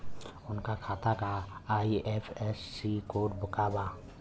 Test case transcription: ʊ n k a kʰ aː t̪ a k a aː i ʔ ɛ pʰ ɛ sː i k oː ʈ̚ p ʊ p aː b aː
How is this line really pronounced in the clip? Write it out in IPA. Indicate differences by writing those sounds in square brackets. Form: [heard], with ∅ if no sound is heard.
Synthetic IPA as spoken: ʊ n k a kʰ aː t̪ a k a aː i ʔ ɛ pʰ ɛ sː i k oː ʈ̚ [b] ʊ [k] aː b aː